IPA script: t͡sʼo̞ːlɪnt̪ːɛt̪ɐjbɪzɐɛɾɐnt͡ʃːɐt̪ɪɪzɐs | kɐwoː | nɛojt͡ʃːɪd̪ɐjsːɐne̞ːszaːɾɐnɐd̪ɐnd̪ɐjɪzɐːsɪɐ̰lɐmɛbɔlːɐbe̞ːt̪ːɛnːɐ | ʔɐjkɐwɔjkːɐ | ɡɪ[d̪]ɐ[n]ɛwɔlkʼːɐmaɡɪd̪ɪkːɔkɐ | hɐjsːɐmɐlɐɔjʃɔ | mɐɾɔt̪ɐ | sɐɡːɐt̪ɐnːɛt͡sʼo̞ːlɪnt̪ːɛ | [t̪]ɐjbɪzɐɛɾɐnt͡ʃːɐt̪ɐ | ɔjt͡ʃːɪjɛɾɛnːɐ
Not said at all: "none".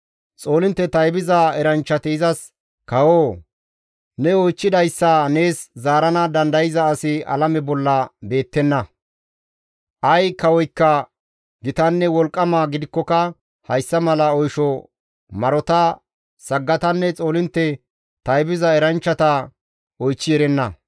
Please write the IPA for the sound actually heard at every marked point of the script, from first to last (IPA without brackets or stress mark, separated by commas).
t̪, nː, t̪